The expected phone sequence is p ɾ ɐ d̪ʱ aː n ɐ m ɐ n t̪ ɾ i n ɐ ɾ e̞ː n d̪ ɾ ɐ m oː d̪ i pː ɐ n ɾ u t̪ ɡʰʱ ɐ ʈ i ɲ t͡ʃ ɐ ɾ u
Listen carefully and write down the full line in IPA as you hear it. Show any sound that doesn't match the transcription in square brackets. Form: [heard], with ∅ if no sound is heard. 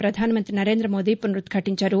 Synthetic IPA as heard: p ɾ ɐ d̪ʱ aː n ɐ m ɐ n t̪ ɾ i n ɐ ɾ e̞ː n d̪ ɾ ɐ m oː d̪ i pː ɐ n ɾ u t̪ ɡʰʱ ɐ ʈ i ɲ t͡ʃ ɐ ɾ u